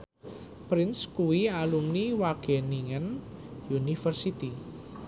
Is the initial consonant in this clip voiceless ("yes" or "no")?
yes